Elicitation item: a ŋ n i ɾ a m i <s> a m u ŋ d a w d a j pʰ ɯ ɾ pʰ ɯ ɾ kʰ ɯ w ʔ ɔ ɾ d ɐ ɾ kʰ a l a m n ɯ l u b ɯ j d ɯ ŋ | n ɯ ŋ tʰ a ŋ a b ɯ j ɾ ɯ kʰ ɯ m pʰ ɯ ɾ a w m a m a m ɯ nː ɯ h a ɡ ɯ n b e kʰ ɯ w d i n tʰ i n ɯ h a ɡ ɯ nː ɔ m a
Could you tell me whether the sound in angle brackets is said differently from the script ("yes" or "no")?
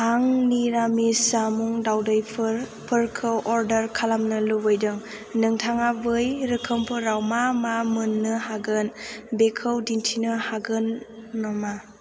no